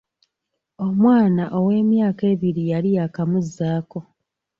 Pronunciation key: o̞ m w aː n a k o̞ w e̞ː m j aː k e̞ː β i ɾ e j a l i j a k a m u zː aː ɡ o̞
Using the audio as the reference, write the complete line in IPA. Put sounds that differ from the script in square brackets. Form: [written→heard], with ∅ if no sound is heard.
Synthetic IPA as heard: o̞ m w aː n a [k→ʔ] o̞ w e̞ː m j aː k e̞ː β i ɾ [e→i] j a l i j a k a m u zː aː [ɡ→k] o̞